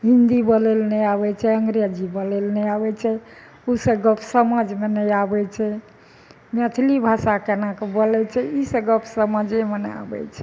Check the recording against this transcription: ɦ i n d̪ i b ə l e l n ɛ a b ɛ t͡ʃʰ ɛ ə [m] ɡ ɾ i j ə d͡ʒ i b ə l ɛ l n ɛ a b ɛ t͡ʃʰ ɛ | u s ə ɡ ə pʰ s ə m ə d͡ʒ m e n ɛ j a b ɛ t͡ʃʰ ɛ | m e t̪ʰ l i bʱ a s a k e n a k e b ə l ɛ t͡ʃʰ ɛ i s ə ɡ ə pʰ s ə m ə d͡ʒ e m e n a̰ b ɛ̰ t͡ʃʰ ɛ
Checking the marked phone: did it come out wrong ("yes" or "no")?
yes